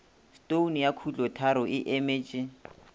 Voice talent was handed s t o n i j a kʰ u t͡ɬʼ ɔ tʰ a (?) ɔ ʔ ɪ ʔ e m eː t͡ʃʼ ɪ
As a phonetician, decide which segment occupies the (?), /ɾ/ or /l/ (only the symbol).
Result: ɾ